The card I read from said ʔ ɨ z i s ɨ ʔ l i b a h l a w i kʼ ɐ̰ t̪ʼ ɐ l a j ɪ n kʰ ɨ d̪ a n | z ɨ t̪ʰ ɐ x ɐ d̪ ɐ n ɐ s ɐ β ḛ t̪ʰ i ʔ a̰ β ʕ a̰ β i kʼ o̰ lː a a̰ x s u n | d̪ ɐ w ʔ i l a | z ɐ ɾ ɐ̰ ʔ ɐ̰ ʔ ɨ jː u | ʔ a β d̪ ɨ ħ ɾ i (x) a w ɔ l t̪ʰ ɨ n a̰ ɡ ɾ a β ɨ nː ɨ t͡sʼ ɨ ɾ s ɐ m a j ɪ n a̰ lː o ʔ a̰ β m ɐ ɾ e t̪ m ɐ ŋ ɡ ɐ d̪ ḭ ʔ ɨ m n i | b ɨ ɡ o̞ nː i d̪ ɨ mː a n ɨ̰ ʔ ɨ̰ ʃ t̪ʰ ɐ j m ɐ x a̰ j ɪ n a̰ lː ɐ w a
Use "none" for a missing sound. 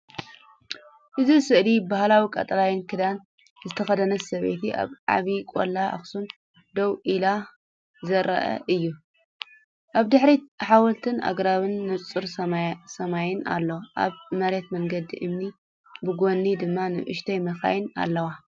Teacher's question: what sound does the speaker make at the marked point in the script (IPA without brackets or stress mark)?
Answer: ħ